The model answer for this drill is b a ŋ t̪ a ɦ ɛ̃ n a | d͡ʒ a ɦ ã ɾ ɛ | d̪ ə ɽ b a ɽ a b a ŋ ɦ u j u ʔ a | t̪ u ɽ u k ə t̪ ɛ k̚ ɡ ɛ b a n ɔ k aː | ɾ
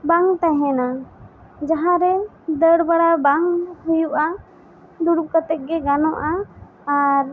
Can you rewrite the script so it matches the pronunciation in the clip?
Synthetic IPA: b a ŋ t̪ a ɦ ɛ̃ n a | d͡ʒ a ɦ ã ɾ ɛ | d̪ ə ɽ b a ɽ a b a ŋ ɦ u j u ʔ a | d̪ u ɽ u k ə t̪ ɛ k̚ ɡ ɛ ɡ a n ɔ ʔ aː | ɾ